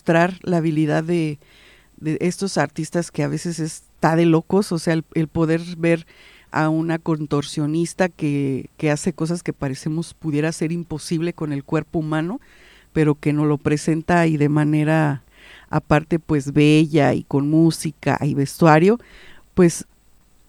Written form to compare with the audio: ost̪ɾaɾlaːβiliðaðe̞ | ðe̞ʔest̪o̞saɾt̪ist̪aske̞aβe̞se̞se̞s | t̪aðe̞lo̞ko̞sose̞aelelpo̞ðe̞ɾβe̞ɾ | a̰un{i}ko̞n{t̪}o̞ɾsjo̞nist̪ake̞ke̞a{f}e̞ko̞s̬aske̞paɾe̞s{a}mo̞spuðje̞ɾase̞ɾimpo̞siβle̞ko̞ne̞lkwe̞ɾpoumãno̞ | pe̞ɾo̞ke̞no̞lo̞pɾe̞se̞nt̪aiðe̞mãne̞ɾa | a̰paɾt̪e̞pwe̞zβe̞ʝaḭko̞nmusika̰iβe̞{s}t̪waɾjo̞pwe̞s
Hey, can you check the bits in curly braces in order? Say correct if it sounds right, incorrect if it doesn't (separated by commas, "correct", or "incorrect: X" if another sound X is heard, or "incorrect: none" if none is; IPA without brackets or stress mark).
incorrect: a, correct, incorrect: s, incorrect: e, correct